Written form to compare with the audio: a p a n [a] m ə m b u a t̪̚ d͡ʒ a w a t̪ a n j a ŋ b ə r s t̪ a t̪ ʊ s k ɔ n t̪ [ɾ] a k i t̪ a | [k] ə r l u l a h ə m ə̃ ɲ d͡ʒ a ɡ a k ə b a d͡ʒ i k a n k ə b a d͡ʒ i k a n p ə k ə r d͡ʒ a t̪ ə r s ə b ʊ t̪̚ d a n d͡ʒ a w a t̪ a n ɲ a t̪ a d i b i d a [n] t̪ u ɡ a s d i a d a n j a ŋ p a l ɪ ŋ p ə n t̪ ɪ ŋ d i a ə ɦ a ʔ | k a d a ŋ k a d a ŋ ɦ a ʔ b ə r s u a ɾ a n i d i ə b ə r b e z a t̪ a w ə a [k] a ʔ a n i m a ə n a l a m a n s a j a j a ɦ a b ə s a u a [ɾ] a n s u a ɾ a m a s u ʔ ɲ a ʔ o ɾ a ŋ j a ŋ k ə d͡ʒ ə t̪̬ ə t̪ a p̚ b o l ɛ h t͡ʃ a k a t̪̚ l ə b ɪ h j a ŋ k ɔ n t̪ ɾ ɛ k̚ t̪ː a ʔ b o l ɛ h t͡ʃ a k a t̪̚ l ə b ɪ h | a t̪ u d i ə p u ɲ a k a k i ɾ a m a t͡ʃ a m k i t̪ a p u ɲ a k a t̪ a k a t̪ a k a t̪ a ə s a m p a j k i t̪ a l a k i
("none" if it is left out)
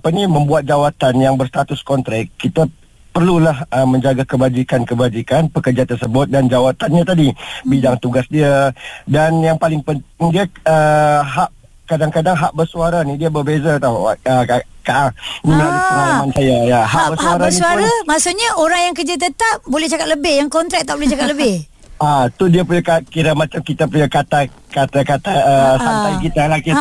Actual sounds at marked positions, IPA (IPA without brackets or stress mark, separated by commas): i, ɾ, p, ŋ, k, ɾ